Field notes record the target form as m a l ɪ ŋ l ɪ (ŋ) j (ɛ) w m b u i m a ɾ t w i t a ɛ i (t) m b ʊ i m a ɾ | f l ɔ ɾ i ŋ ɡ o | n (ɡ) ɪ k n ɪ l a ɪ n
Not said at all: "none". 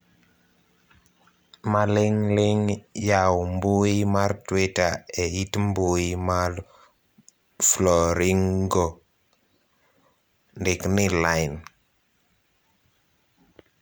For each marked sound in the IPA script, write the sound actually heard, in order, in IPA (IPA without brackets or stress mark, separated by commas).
ŋ, a, t, d